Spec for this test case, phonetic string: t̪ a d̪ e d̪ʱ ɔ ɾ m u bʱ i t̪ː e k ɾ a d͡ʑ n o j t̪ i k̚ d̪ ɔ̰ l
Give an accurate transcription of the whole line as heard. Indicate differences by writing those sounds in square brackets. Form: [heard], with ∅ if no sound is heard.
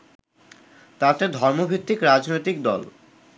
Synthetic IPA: t̪ a [t̪] e d̪ʱ ɔ ɾ m [o] bʱ i t̪ː [i] k ɾ a d͡ʑ n o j t̪ i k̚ d̪ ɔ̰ l